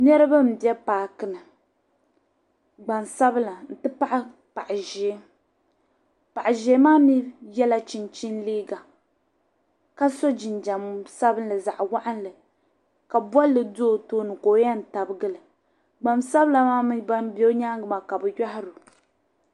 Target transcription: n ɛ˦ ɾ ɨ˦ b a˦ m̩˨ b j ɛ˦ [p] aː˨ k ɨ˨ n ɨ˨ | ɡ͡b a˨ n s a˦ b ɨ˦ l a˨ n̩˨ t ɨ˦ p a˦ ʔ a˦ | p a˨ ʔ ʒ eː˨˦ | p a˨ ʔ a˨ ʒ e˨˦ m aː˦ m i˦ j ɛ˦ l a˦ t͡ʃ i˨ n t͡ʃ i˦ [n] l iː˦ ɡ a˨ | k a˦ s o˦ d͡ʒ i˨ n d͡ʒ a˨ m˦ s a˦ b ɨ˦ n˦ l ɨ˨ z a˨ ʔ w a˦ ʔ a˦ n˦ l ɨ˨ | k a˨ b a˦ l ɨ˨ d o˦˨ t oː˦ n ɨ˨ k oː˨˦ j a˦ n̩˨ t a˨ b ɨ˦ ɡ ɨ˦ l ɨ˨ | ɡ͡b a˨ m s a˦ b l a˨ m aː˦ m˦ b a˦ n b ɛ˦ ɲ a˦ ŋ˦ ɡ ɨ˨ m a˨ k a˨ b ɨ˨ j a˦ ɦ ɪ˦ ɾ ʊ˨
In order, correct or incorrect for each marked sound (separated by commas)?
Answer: correct, correct